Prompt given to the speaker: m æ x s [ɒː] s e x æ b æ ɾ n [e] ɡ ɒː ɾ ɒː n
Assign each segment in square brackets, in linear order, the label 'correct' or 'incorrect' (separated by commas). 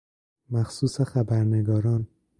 incorrect, correct